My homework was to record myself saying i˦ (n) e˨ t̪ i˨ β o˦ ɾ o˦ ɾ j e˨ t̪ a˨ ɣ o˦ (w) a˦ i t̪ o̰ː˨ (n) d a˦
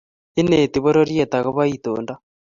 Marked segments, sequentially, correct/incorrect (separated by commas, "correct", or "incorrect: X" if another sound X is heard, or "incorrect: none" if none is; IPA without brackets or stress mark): correct, incorrect: β, correct